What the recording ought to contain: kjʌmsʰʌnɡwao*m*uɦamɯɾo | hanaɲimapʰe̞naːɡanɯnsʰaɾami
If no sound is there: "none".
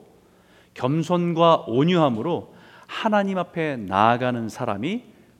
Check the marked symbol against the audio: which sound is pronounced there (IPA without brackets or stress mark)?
ɲ